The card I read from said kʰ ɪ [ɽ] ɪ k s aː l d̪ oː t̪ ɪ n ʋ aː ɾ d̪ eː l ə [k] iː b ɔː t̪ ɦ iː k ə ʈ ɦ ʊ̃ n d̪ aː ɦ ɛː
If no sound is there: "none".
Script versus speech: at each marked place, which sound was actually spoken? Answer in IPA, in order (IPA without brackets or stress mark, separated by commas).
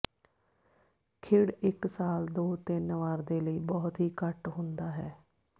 ɽ, none